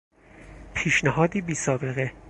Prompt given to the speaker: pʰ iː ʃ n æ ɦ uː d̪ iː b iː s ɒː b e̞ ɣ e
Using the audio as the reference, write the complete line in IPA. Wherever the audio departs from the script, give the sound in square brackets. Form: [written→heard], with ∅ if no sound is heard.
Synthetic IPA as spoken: pʰ iː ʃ n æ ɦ [uː→ɒː] d̪ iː b iː s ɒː b e̞ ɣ e